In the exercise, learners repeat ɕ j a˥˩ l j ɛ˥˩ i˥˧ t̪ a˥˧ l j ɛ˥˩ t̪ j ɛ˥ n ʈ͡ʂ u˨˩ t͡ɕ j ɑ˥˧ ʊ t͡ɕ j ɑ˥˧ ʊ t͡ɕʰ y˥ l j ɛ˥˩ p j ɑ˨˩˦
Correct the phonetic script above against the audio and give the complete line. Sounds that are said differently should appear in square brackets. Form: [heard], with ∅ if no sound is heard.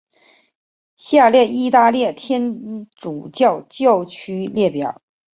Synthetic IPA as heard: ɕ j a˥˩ l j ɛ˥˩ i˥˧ t̪ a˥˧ l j ɛ˥˩ [t̪ʰ] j ɛ˥ n ʈ͡ʂ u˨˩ t͡ɕ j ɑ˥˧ ʊ t͡ɕ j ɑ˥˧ ʊ t͡ɕʰ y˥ l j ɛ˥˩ p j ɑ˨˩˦